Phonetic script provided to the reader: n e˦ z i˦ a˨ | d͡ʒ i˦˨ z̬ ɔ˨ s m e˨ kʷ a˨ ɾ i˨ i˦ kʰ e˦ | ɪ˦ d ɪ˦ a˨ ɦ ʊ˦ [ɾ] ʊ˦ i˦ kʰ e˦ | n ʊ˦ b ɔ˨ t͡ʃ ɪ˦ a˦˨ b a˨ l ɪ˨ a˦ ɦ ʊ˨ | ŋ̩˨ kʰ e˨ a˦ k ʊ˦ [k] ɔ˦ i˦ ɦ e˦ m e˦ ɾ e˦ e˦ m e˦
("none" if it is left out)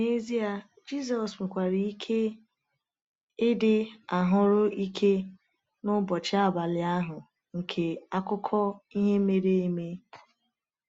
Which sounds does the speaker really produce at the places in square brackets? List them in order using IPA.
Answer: ɾ, kʰ

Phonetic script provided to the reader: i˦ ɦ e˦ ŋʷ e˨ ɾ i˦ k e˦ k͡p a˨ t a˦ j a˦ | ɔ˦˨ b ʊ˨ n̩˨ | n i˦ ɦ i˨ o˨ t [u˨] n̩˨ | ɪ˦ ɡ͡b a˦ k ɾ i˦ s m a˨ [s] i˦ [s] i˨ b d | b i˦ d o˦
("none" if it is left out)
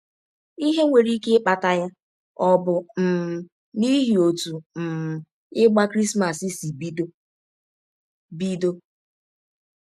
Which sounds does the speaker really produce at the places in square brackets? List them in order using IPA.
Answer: u˨, s, s

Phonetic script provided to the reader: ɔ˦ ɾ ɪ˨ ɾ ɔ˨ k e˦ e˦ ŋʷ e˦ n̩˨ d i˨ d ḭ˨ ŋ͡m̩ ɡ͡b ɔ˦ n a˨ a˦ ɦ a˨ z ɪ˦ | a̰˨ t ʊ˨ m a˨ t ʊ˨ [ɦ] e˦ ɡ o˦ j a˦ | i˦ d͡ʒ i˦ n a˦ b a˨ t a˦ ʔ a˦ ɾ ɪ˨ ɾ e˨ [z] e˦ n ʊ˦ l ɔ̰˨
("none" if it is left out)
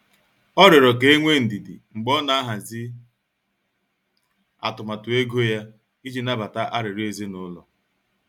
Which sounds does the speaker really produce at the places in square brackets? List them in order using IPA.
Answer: none, z

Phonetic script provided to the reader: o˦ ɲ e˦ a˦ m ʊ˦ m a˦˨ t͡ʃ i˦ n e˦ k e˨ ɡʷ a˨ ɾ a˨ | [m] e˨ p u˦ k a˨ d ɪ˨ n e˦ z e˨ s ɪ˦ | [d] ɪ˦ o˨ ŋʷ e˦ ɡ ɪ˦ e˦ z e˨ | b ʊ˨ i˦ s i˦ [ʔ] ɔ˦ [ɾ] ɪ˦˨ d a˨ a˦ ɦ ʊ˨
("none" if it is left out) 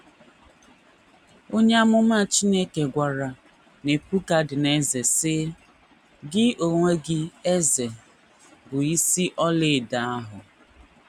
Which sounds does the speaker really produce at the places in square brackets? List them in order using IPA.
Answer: n, ɡ, ʔ, l

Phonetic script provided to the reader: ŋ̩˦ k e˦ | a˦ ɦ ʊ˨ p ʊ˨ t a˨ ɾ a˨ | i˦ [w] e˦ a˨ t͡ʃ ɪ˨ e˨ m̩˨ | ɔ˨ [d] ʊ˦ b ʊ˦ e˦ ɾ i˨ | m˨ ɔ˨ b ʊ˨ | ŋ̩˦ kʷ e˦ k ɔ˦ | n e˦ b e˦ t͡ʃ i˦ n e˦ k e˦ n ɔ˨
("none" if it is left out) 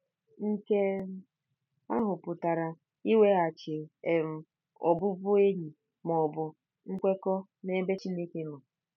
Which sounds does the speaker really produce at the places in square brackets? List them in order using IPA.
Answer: w, b

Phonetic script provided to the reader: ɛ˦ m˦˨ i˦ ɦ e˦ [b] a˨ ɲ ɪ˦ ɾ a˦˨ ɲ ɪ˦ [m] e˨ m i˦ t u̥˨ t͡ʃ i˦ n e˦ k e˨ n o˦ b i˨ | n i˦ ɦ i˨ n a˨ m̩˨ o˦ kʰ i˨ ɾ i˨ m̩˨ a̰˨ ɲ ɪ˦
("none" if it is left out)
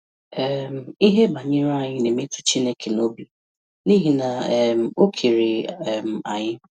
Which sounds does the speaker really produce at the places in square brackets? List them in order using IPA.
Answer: b, n

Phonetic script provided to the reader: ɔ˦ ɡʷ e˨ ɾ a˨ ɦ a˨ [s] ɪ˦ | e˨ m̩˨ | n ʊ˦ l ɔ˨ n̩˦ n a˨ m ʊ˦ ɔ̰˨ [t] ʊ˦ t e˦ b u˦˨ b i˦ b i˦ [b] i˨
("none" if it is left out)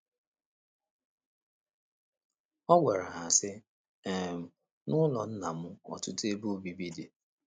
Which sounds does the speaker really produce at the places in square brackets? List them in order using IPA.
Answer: s, t, d

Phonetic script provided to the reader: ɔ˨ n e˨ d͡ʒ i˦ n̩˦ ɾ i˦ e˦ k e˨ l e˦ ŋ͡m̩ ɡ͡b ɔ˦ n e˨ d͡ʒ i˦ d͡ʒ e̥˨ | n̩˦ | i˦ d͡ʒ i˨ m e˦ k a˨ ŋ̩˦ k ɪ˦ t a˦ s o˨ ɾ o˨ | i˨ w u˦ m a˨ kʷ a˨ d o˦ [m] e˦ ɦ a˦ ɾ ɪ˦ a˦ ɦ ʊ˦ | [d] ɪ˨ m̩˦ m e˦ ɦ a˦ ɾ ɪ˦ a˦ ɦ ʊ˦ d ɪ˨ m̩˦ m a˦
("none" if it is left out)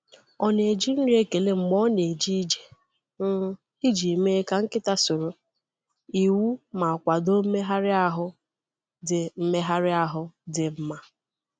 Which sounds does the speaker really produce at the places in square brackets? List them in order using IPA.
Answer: m, d

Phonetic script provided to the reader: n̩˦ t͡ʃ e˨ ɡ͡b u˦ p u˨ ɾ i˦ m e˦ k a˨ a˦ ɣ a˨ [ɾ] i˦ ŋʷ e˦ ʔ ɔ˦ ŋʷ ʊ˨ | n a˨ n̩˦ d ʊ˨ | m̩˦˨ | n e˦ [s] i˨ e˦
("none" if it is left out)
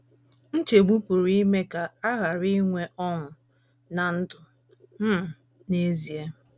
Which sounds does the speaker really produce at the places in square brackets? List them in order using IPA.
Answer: ɾ, z

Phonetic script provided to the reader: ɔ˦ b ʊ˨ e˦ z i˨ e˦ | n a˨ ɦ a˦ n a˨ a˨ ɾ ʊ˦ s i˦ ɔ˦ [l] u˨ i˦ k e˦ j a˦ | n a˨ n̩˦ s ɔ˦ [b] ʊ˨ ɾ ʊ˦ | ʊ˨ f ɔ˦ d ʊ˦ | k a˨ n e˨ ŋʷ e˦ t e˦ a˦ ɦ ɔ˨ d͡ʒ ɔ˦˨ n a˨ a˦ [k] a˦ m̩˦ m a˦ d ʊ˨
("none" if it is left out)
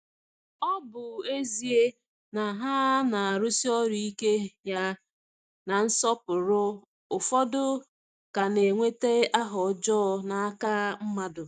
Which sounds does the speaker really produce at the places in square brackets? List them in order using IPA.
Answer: ɾ, p, k

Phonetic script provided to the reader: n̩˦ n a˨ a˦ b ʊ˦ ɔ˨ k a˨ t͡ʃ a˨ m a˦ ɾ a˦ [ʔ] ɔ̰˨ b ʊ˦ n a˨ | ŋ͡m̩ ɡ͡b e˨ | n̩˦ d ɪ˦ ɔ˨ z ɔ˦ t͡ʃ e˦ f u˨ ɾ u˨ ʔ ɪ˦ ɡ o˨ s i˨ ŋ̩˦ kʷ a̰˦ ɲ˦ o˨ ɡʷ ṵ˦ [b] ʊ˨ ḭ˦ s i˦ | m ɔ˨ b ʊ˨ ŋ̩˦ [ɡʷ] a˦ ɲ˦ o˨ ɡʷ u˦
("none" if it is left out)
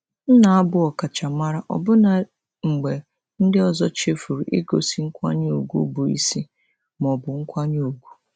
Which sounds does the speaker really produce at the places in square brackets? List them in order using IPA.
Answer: ʔ, b, kʷ

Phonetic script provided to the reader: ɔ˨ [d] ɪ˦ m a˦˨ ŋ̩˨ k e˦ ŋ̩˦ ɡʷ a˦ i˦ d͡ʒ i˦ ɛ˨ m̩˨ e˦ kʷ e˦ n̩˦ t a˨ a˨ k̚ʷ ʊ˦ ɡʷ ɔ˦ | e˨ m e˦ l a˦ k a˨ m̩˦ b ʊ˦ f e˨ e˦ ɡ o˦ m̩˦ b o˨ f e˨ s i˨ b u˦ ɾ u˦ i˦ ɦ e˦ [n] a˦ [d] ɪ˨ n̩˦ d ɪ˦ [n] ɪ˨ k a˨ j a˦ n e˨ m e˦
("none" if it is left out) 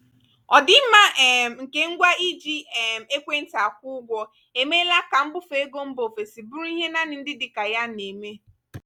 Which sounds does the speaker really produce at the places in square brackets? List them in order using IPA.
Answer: d, n, n, d

